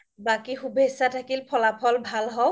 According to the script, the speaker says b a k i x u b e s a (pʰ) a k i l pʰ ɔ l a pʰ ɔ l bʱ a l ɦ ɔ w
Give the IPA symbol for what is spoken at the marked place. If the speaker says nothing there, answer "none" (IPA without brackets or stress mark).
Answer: tʰ